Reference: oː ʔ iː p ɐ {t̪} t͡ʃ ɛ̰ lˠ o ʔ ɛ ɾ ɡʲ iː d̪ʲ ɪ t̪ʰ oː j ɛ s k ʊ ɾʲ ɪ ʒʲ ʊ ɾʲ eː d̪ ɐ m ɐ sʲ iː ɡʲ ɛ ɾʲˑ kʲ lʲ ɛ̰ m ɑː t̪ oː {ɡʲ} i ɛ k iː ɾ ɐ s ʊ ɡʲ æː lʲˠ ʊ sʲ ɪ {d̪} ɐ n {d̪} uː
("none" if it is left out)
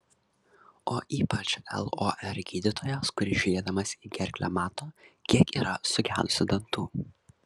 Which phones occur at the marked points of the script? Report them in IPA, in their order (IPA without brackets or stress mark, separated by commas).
none, kʲ, d̪, t̪